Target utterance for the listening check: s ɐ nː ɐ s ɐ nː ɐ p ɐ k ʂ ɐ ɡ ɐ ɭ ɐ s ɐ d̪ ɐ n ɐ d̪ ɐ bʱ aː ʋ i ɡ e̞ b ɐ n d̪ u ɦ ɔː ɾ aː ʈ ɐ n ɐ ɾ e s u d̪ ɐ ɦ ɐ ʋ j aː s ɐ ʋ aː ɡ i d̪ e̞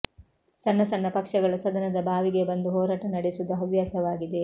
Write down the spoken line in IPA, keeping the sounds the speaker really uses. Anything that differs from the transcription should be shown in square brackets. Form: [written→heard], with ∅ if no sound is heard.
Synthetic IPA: s ɐ nː ɐ s ɐ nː ɐ p ɐ k ʂ ɐ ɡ ɐ ɭ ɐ s ɐ d̪ ɐ n ɐ d̪ ɐ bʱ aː ʋ i ɡ e̞ b ɐ n d̪ u ɦ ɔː ɾ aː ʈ ɐ n ɐ [ɾ→ɽ] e s u d̪ ɐ ɦ ɐ ʋ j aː s ɐ ʋ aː ɡ i d̪ e̞